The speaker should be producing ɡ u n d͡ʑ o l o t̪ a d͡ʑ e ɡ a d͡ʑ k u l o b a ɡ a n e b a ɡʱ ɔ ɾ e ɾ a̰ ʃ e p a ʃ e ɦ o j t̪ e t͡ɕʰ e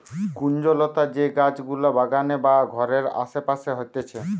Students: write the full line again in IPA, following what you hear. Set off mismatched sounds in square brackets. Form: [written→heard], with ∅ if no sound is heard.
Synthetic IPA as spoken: [ɡ→k] u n d͡ʑ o l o t̪ a d͡ʑ e ɡ a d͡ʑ [k→ɡ] u l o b a ɡ a n e b a ɡʱ ɔ ɾ e ɾ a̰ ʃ e p a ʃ e ɦ o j t̪ e t͡ɕʰ e